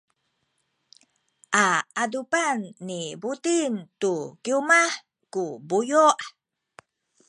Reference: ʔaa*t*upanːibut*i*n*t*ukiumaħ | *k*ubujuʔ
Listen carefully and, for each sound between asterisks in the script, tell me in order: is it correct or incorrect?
incorrect: d, correct, correct, correct

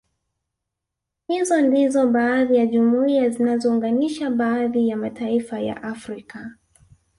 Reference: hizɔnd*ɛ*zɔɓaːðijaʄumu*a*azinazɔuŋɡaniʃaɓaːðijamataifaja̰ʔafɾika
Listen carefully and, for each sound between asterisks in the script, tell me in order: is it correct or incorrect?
incorrect: i, incorrect: i

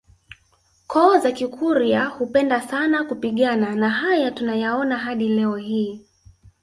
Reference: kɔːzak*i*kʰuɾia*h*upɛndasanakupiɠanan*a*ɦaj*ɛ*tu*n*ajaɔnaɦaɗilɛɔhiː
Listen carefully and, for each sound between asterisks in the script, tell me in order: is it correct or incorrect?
correct, correct, correct, incorrect: a, correct

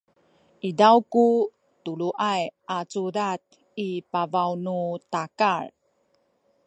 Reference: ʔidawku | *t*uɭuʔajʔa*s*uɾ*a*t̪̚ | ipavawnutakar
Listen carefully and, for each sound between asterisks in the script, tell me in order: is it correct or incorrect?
correct, incorrect: t͡s, correct

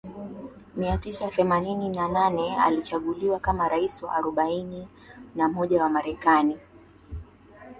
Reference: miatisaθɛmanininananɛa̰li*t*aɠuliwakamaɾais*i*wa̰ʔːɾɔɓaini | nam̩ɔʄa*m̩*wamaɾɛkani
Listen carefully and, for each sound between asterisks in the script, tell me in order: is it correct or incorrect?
incorrect: t͡ʃ, correct, incorrect: none

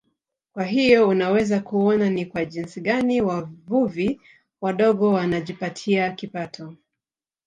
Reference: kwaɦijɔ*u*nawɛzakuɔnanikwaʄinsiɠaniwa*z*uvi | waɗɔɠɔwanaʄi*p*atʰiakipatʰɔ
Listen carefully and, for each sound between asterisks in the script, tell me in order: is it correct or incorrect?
correct, incorrect: v, correct

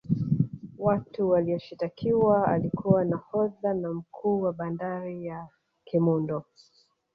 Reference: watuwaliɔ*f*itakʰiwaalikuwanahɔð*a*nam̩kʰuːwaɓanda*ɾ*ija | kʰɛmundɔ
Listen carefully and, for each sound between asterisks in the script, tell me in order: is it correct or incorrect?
incorrect: ʃ, correct, correct

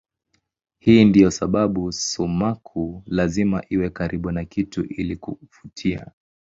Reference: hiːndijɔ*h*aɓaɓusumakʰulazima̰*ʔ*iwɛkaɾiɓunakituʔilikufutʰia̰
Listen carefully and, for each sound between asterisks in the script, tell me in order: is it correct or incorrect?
incorrect: s, correct

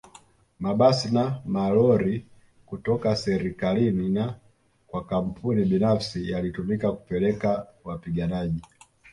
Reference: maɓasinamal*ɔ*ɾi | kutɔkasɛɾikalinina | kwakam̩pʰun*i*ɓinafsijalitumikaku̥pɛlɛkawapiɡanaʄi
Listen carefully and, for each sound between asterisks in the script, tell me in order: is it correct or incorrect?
correct, correct

